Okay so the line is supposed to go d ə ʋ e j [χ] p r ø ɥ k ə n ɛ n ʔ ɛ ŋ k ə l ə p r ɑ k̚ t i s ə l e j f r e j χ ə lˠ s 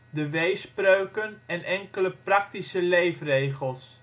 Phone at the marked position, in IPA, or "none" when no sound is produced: s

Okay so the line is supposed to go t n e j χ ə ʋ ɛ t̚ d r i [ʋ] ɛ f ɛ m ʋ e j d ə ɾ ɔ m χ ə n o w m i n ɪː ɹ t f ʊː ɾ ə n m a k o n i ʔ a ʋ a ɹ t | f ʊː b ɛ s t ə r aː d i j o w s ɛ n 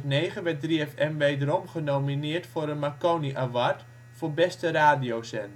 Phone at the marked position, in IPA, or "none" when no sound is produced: none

